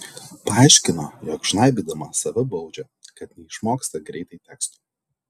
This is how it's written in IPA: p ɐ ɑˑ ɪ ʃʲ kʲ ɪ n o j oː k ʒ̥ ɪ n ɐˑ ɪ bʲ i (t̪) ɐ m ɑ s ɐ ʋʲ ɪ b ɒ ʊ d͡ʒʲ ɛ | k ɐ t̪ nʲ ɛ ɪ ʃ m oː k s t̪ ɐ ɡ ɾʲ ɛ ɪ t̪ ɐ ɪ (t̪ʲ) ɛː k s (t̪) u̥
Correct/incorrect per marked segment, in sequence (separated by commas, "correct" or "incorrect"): incorrect, correct, correct